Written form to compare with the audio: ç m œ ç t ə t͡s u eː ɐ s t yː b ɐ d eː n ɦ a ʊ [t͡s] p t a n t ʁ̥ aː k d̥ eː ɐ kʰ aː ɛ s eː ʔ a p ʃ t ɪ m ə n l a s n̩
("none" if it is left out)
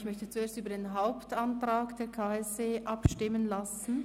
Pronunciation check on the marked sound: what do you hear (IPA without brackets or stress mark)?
none